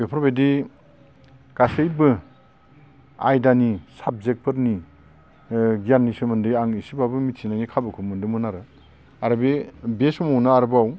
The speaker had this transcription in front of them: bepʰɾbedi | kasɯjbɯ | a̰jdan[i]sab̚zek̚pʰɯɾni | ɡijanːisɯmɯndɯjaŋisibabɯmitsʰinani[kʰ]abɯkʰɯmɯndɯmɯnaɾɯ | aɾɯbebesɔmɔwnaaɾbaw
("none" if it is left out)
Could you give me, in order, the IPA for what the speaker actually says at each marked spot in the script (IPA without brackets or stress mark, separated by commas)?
i, kʰ